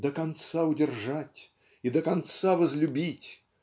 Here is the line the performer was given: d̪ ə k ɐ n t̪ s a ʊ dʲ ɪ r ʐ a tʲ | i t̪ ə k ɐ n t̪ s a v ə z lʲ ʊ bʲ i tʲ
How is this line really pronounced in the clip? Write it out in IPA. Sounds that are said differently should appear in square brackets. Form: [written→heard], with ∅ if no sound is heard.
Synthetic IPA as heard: d̪ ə k ɐ n t̪ s a ʊ dʲ ɪ r ʐ a tʲ | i [t̪→d̪] ə k ɐ n t̪ s a v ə z lʲ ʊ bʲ i tʲ

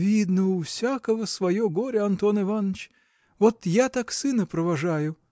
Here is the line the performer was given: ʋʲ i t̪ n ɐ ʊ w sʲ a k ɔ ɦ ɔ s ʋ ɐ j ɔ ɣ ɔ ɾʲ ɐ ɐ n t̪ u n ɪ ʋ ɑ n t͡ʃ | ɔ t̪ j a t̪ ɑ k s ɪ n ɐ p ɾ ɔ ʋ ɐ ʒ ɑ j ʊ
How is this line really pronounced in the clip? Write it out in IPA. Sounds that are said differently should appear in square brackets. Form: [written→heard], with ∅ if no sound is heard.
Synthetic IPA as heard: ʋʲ i [t̪→d̪] n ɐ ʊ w sʲ a k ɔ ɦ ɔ s ʋ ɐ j ɔ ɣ ɔ ɾʲ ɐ ɐ n t̪ [u→ɔ] n ɪ ʋ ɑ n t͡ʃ | ɔ t̪ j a t̪ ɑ k s ɪ n ɐ p ɾ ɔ ʋ ɐ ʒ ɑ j ʊ

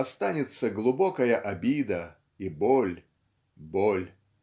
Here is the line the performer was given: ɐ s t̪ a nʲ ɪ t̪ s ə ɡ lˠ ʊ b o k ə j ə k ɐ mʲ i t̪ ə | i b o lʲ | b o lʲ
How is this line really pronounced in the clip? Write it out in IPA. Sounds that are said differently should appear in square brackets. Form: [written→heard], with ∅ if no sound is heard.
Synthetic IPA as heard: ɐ s t̪ a nʲ ɪ t̪ s ə ɡ lˠ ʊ b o k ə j ə [k→ʔ] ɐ [mʲ→bʲ] i [t̪→d̪] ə | i b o lʲ | b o lʲ

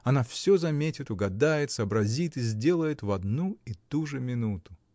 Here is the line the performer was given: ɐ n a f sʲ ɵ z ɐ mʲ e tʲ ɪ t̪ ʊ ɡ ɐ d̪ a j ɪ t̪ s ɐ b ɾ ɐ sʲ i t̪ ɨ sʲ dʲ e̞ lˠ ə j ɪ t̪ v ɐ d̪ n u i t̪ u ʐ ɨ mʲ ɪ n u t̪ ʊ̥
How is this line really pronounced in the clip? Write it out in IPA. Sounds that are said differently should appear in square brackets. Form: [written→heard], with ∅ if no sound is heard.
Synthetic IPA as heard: ɐ n a f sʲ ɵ z ɐ mʲ e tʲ ɪ t̪ ʊ ɡ ɐ d̪ a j ɪ t̪ s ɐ b ɾ ɐ [sʲ→zʲ] i t̪ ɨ [sʲ→zʲ] dʲ e̞ lˠ ə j ɪ t̪ v ɐ d̪ n u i t̪ u ʐ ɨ mʲ ɪ n u t̪ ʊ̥

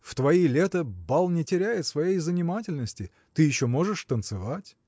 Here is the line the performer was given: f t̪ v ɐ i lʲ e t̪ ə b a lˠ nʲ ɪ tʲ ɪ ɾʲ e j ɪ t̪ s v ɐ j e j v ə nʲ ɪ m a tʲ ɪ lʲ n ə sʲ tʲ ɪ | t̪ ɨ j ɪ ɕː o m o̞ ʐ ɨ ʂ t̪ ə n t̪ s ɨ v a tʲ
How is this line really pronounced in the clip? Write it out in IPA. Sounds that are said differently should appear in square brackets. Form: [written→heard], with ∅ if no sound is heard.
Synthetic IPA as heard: f t̪ v ɐ i lʲ e t̪ ə b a lˠ nʲ ɪ tʲ ɪ ɾʲ [e→æ] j ɪ t̪ s v ɐ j e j [v→z] ə nʲ ɪ m a tʲ ɪ lʲ n ə sʲ tʲ ɪ | t̪ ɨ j ɪ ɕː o m o̞ ʐ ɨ ʂ t̪ ə n t̪ s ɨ v a tʲ

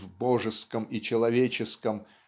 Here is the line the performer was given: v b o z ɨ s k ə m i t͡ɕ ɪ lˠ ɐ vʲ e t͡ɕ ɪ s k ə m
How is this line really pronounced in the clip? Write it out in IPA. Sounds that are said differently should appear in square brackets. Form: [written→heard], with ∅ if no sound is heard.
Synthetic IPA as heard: v b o [z→ʐ] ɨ s k ə m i t͡ɕ ɪ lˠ ɐ vʲ e t͡ɕ ɪ s k ə m

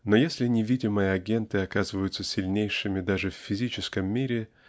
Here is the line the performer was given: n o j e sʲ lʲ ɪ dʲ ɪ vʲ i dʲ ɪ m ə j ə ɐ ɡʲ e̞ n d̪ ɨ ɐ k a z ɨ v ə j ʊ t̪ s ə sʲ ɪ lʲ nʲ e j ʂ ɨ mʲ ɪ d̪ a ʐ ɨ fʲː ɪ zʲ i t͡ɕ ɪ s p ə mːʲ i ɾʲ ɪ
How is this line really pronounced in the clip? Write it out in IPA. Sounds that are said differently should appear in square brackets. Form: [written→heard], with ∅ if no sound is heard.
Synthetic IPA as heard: n o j e sʲ lʲ ɪ [dʲ→nʲ] ɪ vʲ i dʲ ɪ m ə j ə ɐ ɡʲ e̞ n [d̪→t̪] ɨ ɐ k a z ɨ v ə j ʊ t̪ s ə sʲ ɪ lʲ nʲ e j ʂ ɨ mʲ ɪ d̪ a ʐ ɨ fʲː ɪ zʲ i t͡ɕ ɪ s [p→k] ə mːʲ i ɾʲ ɪ

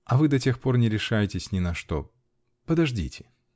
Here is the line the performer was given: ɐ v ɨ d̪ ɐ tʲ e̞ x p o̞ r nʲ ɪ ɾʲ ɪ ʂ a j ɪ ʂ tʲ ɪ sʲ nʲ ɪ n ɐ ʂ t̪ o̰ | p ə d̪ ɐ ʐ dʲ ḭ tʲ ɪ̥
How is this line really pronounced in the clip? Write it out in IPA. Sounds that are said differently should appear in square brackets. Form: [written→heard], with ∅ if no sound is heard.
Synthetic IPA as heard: ɐ v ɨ d̪ ɐ tʲ e̞ x p o̞ r nʲ ɪ ɾʲ ɪ ʂ a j ɪ [ʂ→∅] tʲ ɪ sʲ nʲ ɪ n ɐ ʂ t̪ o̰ | p ə d̪ ɐ ʐ dʲ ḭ tʲ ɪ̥

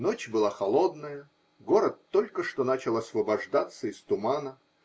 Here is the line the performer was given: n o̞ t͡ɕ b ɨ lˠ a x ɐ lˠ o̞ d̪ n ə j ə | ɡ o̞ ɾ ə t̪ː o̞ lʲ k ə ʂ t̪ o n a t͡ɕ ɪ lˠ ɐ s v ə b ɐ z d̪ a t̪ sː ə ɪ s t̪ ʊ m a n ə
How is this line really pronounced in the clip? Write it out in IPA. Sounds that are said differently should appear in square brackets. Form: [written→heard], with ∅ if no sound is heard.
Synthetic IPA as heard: n o̞ t͡ɕ b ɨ lˠ a x ɐ lˠ o̞ d̪ n ə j ə | ɡ o̞ ɾ ə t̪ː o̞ lʲ k ə ʂ t̪ o n a t͡ɕ ɪ lˠ ɐ s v ə b ɐ [z→ʐ] d̪ a t̪ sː ə ɪ s t̪ ʊ m a n ə

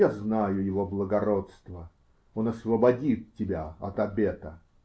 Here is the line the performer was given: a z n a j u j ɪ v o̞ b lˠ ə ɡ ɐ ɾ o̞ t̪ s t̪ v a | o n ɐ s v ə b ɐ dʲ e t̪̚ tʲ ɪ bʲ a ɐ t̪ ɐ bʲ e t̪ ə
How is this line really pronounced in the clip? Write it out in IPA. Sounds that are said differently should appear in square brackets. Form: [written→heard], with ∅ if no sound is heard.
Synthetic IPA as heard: a z n a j [u→ʊ] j ɪ v o̞ b lˠ ə ɡ ɐ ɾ o̞ t̪ s t̪ v [a→ə] | o n ɐ s v ə b ɐ dʲ [e→i] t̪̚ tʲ ɪ bʲ a ɐ t̪ ɐ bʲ e t̪ ə

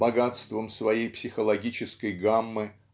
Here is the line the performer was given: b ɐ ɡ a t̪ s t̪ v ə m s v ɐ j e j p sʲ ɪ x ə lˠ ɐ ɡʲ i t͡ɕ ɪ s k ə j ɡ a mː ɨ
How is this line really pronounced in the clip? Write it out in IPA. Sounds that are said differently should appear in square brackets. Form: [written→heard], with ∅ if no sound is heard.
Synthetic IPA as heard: b ɐ ɡ a t̪ s t̪ v ə m s v ɐ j e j p sʲ ɪ x ə lˠ ɐ ɡʲ i t͡ɕ ɪ s k ə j ɡ a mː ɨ

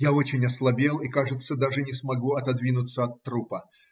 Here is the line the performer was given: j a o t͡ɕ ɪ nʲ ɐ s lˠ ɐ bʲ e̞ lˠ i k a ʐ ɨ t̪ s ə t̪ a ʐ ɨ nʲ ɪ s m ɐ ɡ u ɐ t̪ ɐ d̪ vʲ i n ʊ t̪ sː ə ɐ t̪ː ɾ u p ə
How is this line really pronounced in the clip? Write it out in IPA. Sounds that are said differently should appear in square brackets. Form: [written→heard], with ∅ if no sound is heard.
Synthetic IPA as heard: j a o t͡ɕ ɪ nʲ ɐ s lˠ ɐ bʲ e̞ lˠ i k a ʐ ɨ t̪ s ə [t̪→d̪] a ʐ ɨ nʲ ɪ s m ɐ ɡ u ɐ t̪ ɐ d̪ vʲ i n ʊ t̪ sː ə ɐ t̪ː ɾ u p ə

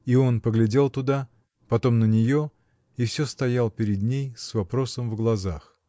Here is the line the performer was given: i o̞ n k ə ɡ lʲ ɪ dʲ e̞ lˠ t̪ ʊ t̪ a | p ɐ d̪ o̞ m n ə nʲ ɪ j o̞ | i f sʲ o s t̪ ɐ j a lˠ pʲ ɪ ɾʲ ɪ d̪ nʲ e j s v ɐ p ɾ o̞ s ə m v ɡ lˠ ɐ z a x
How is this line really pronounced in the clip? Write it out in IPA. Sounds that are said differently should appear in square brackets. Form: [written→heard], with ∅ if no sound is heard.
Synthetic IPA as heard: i o̞ n [k→p] ə ɡ lʲ ɪ dʲ e̞ lˠ t̪ ʊ [t̪→d̪] a | p ɐ [d̪→t̪] o̞ m n ə nʲ ɪ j o̞ | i f sʲ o s t̪ ɐ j a lˠ pʲ ɪ ɾʲ ɪ d̪ nʲ e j s v ɐ p ɾ o̞ s ə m v ɡ lˠ ɐ z a x

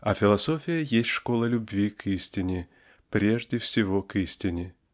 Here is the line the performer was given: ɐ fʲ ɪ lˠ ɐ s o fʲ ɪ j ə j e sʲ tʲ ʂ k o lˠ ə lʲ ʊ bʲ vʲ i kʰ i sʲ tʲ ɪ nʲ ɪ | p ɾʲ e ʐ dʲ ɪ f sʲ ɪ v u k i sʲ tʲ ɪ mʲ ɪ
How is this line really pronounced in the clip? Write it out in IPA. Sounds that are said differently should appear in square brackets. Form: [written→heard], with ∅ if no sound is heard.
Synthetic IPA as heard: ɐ fʲ ɪ lˠ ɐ s o fʲ ɪ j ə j e sʲ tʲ ʂ k o lˠ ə lʲ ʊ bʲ vʲ i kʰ i sʲ tʲ ɪ nʲ ɪ | p ɾʲ e ʐ dʲ ɪ f sʲ ɪ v [u→o] k i sʲ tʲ ɪ [mʲ→nʲ] ɪ

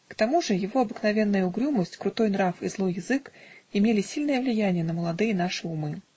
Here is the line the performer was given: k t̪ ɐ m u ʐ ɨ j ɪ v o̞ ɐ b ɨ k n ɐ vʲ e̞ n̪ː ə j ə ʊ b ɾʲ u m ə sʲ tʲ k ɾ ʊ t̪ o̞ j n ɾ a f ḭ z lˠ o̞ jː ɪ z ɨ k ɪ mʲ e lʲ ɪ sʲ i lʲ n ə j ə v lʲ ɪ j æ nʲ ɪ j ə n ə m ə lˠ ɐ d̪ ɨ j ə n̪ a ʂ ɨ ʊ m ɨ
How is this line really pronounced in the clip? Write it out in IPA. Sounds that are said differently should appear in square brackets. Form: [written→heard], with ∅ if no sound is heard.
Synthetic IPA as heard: k t̪ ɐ m u ʐ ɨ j ɪ v o̞ ɐ b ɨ k n ɐ vʲ e̞ n̪ː ə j ə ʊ [b→ɡ] ɾʲ u m ə sʲ tʲ k ɾ ʊ t̪ o̞ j n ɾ a f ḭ z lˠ o̞ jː ɪ z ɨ k ɪ mʲ e lʲ ɪ sʲ i lʲ n ə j ə v lʲ ɪ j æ nʲ ɪ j ə n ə m ə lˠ ɐ d̪ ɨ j ə n̪ a ʂ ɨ ʊ m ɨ

